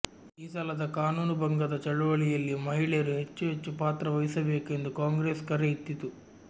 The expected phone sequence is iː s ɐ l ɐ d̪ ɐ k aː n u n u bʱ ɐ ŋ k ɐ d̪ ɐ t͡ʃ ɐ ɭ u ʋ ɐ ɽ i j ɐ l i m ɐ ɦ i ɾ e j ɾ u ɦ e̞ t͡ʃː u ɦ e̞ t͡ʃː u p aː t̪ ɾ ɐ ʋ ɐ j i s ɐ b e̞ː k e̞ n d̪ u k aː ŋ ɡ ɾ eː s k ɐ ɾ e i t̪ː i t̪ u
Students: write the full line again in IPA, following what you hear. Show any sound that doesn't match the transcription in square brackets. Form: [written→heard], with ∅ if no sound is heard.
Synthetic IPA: iː s ɐ l ɐ d̪ ɐ k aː n [u→uː] n u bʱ ɐ ŋ [k→ɡ] ɐ d̪ ɐ t͡ʃ ɐ ɭ u ʋ ɐ [ɽ→ɭ] i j ɐ [l→lː] i m ɐ ɦ i [ɾ→ɭ] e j ɾ u ɦ e̞ t͡ʃː u ɦ e̞ t͡ʃː u p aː t̪ ɾ ɐ ʋ ɐ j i s ɐ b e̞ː k e̞ n d̪ u k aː ŋ ɡ ɾ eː s k ɐ ɾ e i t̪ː i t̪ u